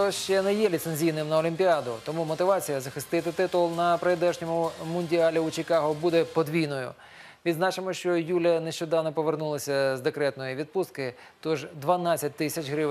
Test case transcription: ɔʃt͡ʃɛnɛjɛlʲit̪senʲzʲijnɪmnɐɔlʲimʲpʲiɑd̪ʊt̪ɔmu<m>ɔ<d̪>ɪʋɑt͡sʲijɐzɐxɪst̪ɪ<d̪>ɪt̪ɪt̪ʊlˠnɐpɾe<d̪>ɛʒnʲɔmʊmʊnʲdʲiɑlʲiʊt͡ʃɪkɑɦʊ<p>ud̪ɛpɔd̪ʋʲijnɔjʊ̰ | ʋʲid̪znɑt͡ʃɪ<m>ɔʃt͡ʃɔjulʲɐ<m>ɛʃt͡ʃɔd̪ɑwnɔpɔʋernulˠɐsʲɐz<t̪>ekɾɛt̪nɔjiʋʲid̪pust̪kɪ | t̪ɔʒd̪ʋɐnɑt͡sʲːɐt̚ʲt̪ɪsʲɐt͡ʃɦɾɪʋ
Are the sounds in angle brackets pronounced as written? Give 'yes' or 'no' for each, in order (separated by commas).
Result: yes, no, no, yes, no, yes, no, no